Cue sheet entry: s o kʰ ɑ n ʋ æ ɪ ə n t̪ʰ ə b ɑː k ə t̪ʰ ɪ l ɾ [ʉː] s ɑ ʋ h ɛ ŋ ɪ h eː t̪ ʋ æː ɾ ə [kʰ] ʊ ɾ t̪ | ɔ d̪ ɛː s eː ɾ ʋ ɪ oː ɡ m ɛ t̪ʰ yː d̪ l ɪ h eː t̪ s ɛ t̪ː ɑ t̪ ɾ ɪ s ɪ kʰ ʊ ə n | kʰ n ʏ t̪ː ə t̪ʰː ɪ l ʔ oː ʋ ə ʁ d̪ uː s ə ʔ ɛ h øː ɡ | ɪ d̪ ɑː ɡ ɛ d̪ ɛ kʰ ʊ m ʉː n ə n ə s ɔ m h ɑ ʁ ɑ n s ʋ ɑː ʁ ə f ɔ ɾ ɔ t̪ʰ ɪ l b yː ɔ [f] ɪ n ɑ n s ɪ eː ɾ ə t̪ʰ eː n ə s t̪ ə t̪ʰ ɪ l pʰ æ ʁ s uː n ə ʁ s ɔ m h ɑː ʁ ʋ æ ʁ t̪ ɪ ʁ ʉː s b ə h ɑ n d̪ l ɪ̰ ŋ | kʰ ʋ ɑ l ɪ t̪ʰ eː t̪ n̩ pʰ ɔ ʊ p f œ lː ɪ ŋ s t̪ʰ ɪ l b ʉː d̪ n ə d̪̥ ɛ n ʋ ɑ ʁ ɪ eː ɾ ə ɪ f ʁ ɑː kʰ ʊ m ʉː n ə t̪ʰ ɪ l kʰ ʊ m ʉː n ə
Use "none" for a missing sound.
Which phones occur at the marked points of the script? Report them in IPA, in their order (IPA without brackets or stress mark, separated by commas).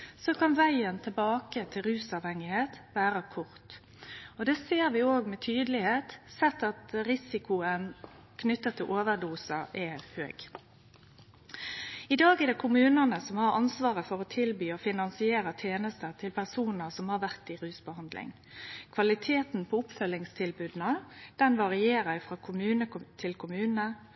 ʉː, kʰ, f